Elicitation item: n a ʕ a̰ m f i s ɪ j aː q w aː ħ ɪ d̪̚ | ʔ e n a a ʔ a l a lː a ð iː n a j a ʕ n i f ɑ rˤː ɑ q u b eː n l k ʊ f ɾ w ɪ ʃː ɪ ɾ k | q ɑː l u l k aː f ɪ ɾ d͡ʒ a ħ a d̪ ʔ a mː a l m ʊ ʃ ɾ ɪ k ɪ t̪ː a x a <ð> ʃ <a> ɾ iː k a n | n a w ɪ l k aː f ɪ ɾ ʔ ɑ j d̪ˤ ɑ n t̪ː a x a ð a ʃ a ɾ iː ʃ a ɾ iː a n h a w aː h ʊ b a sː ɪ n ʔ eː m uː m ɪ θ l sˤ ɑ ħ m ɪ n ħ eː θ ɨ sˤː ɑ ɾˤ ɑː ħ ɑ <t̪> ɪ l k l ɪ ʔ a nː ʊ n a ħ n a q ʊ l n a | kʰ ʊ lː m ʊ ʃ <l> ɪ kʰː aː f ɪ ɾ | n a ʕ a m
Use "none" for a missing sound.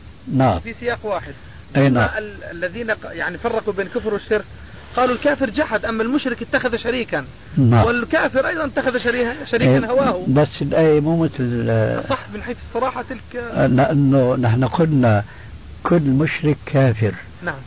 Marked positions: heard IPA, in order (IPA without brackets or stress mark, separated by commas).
ð, a, t̪, ɾ